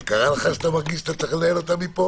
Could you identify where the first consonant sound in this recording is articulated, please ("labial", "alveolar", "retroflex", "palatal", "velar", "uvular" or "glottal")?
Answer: velar